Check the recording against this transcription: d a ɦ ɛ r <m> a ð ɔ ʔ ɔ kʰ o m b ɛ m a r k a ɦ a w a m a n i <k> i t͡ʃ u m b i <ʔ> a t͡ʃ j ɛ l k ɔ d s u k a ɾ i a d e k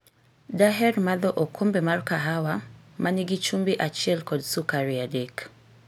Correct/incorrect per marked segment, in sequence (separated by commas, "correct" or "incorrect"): correct, incorrect, correct